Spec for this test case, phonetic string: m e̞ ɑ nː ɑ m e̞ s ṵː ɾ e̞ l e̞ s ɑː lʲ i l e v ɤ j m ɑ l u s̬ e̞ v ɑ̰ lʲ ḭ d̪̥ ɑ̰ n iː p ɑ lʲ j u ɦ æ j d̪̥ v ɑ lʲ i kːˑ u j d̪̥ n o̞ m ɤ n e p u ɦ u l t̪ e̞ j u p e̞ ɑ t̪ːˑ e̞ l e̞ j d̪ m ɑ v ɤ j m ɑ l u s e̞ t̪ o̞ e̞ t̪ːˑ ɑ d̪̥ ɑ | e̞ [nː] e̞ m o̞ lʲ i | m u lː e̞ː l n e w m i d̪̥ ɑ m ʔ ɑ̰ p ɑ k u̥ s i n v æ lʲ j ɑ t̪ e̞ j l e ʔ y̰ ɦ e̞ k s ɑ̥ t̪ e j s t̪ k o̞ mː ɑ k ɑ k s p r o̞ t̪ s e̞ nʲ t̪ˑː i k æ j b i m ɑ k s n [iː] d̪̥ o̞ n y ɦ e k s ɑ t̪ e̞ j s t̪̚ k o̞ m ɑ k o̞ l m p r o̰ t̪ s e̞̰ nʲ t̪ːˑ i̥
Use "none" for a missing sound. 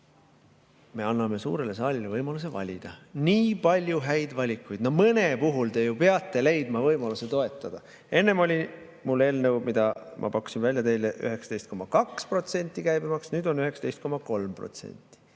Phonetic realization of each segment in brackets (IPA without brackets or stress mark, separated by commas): nː, yː